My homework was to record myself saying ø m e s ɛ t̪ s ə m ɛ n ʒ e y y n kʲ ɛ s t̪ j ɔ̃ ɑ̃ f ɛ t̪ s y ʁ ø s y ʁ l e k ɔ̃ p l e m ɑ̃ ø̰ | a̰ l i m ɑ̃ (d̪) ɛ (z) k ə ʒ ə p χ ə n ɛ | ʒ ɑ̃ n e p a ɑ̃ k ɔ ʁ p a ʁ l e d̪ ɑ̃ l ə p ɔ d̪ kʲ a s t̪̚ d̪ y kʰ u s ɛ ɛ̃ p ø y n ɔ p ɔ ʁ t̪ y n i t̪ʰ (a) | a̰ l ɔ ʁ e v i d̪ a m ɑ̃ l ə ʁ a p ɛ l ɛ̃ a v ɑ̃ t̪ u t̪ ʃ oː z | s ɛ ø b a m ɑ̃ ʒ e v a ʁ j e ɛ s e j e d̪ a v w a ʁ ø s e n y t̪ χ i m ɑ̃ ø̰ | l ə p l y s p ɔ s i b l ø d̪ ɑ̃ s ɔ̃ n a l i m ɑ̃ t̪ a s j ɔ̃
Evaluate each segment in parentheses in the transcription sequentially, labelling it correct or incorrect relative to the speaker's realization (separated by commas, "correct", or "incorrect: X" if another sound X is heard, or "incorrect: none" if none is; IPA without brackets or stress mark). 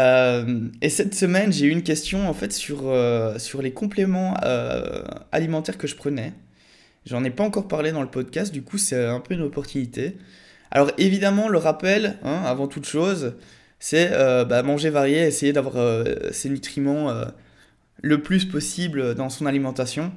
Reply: incorrect: t̪, incorrect: ʁ, incorrect: e